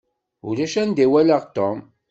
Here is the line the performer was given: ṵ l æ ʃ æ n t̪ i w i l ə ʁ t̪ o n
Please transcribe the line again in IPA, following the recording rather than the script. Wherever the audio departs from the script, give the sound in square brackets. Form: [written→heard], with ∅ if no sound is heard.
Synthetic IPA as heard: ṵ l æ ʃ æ n [t̪→d̪] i w [i→æ] l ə ʁ t̪ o [n→m]